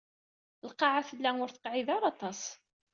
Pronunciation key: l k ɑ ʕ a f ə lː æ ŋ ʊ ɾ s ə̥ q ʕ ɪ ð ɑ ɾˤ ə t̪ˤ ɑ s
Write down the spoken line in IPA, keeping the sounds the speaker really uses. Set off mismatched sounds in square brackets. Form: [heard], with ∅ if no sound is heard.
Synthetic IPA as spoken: l [q] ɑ ʕ a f ə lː æ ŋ ʊ ɾ [θ] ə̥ q ʕ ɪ ð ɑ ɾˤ [ɑ] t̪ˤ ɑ s